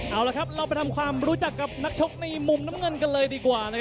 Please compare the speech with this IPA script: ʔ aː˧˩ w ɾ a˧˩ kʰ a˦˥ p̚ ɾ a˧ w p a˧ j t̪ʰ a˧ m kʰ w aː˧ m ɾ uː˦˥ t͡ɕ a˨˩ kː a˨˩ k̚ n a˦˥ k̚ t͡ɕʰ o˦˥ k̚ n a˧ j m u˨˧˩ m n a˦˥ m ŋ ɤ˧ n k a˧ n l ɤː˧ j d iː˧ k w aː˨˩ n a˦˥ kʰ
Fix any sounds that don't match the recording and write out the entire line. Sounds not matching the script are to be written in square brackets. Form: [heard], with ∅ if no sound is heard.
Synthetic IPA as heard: ʔ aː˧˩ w [l] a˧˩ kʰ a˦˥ p̚ ɾ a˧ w p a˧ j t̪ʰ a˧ m kʰ w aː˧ m ɾ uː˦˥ t͡ɕ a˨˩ kː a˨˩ [p̚] n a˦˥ k̚ t͡ɕʰ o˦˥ k̚ n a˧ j m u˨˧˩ m n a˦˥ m ŋ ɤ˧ n k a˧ n l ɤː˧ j d iː˧ k w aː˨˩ n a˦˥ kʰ

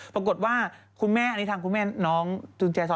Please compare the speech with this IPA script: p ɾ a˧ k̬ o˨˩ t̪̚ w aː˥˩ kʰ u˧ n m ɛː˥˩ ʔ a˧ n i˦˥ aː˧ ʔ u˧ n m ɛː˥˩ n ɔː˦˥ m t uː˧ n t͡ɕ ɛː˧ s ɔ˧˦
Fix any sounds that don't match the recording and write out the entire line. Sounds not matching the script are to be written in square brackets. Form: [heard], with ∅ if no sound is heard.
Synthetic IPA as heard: p ɾ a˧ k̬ o˨˩ t̪̚ w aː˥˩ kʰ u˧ n m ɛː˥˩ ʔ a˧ n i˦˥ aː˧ [k] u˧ n m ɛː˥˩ n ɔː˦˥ [ŋ] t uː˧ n t͡ɕ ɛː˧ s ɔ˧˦

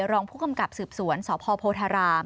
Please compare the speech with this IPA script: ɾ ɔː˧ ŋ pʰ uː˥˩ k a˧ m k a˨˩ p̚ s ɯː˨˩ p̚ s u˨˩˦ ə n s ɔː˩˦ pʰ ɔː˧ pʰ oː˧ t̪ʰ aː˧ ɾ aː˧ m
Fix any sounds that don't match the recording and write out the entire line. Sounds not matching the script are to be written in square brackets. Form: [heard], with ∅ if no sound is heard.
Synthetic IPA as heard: ɾ ɔː˧ ŋ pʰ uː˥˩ k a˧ m k a˨˩ p̚ s ɯː˨˩ p̚ s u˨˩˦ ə n s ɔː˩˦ pʰ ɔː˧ pʰ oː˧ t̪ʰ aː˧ ɾ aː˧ m

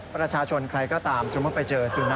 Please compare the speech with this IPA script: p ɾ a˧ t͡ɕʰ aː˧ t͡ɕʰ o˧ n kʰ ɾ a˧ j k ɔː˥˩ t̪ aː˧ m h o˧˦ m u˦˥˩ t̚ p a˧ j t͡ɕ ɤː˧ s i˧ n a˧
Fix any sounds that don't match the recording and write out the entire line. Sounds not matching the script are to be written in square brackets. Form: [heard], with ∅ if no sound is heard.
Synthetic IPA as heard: p ɾ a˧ t͡ɕʰ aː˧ t͡ɕʰ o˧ n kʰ ɾ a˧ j k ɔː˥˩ t̪ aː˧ m [s] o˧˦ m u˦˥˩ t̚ p a˧ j t͡ɕ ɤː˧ s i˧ n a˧

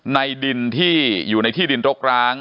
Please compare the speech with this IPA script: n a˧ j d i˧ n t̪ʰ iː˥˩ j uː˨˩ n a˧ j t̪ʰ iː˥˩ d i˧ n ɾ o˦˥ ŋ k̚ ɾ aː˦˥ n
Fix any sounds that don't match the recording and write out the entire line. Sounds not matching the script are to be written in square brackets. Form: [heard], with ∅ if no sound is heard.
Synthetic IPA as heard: n a˧ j d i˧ n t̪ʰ iː˥˩ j uː˨˩ n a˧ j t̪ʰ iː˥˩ d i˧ n ɾ o˦˥ [∅] k̚ ɾ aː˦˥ [ŋ]

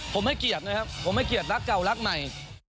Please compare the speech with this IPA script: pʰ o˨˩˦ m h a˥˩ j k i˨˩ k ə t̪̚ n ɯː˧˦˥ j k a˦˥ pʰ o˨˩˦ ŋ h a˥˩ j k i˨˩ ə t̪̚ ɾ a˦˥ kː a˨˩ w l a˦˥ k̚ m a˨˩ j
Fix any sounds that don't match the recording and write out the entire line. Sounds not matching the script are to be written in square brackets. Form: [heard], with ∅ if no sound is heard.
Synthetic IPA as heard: pʰ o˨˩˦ m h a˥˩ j k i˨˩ [∅] ə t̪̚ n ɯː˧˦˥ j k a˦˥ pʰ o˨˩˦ [m] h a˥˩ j k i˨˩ ə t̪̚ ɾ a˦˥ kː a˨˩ w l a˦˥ k̚ m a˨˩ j

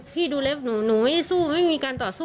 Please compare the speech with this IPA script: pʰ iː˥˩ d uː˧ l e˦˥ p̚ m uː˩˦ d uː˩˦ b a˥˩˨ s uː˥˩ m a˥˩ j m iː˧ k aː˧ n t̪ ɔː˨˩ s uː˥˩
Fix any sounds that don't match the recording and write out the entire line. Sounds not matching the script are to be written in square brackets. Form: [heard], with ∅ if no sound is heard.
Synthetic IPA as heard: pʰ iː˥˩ d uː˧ l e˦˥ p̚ [n] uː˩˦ [n] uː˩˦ [m] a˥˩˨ s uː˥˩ m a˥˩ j m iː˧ k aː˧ n t̪ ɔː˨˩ s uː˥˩

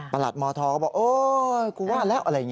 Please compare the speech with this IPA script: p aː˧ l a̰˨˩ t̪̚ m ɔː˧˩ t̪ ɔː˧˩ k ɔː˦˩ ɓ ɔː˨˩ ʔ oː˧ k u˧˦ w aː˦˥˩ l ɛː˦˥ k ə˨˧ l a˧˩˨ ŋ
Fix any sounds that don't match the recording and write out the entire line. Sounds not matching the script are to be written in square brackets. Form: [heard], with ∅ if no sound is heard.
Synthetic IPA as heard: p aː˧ l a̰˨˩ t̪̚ m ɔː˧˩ [t̪ʰ] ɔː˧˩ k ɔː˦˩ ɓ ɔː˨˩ ʔ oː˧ k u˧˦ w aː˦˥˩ l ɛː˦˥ [ʔ] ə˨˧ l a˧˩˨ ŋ

